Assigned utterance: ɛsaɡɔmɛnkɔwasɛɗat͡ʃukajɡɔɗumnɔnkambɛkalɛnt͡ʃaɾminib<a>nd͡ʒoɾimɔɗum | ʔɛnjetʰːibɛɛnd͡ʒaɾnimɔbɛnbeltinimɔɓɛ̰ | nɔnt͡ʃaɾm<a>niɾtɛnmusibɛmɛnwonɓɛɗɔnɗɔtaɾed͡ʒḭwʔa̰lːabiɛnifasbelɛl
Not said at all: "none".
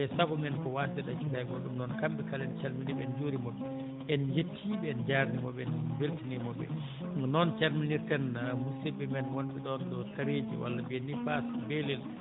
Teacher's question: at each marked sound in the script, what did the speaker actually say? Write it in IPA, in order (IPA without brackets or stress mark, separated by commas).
ɛ, i